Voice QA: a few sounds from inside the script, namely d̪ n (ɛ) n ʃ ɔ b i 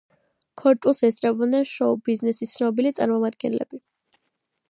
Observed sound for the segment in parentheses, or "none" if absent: ɛ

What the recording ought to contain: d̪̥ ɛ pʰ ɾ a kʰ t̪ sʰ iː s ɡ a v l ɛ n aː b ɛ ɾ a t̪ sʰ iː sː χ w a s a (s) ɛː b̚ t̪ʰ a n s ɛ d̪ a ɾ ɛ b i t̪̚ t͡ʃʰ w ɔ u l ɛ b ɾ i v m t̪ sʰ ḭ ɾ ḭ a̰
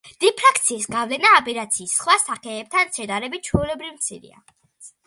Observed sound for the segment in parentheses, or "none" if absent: χ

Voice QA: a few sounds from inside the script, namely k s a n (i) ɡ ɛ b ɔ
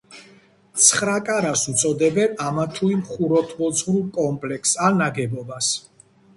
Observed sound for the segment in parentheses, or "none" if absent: a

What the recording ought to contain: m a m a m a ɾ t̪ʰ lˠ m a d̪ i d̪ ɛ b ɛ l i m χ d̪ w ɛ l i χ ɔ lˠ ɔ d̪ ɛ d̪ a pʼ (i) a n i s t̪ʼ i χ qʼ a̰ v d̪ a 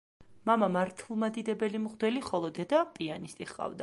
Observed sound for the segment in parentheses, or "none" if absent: i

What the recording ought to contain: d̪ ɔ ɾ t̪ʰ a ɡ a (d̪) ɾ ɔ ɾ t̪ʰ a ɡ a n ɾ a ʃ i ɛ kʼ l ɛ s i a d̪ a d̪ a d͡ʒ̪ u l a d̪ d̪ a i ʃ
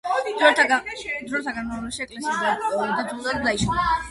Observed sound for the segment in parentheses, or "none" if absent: d̪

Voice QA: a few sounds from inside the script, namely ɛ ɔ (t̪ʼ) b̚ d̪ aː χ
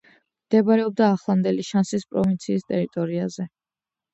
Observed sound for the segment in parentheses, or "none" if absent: none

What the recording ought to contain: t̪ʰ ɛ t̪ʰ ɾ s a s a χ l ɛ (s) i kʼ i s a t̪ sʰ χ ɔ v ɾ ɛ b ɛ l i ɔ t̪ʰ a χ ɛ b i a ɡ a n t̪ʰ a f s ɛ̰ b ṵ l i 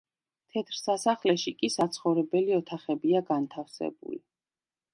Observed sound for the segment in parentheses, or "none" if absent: ʃ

